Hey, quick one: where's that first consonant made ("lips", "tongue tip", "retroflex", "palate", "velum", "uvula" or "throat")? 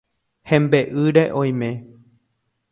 throat